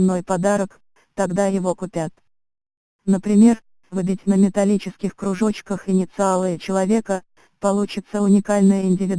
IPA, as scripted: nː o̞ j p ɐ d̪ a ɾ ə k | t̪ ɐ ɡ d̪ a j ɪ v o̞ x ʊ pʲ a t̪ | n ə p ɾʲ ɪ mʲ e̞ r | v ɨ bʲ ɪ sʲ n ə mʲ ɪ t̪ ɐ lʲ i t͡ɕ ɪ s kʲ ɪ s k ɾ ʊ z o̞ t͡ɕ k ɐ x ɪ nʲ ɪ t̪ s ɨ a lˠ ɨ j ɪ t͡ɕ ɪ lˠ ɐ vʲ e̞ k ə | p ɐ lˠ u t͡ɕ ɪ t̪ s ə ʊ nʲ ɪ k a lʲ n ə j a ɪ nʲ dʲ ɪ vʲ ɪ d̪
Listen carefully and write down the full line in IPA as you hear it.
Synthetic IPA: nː o̞ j p ɐ d̪ a ɾ ə k | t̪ ɐ ɡ d̪ a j ɪ v o̞ k ʊ pʲ a t̪ | n ə p ɾʲ ɪ mʲ e̞ r | v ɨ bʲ ɪ tʲ n ə mʲ ɪ t̪ ɐ lʲ i t͡ɕ ɪ s kʲ ɪ x k ɾ ʊ ʐ o̞ t͡ɕ k ə x ɪ nʲ ɪ t̪ s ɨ a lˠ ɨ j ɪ t͡ɕ ɪ lˠ ɐ vʲ e̞ k ə | p ɐ lˠ u t͡ɕ ɪ t̪ s ə ʊ nʲ ɪ k a lʲ n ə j ə ɪ nʲ dʲ ɪ vʲ ɪ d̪